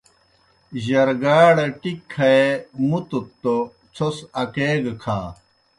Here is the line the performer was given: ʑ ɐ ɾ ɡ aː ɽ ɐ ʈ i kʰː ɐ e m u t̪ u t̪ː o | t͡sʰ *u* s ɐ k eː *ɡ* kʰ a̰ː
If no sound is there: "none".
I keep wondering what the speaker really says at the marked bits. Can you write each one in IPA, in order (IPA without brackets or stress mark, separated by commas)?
o, ɡ